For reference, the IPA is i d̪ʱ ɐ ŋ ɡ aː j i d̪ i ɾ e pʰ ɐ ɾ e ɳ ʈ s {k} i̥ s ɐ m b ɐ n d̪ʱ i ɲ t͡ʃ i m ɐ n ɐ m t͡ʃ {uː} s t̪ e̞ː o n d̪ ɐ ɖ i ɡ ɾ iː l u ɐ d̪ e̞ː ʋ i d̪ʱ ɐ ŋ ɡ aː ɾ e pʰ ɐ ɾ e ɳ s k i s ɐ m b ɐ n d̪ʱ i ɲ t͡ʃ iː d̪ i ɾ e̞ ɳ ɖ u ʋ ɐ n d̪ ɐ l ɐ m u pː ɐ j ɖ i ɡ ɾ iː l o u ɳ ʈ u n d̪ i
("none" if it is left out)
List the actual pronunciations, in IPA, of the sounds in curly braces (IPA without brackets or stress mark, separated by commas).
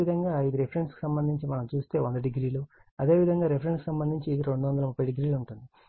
k, uː